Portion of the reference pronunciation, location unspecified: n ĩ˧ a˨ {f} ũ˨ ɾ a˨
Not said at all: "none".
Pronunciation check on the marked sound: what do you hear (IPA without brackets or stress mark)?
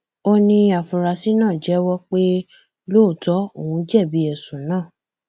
f